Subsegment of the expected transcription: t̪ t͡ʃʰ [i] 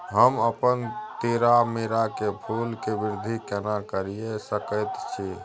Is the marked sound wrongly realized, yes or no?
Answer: no